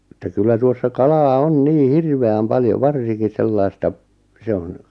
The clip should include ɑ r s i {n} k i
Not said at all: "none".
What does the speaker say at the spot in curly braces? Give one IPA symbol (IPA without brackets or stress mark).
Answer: ŋ